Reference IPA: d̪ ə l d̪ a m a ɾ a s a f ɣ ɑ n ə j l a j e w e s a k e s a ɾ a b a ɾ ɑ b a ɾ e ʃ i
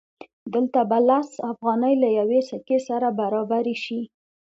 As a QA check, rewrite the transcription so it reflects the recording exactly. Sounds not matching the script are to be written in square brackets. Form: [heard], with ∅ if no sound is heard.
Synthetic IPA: d̪ ə l [t̪] a [b] a [l] a s a f ɣ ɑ n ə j l a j [a] w e s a k e s a ɾ a b a ɾ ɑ b a ɾ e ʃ i